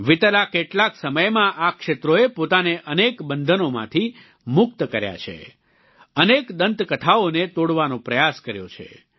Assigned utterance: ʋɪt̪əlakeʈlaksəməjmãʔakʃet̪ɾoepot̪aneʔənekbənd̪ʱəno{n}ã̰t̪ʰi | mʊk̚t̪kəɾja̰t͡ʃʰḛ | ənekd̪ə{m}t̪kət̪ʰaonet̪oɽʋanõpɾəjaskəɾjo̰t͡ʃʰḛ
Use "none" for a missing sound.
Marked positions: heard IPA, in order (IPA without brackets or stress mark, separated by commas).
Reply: m, n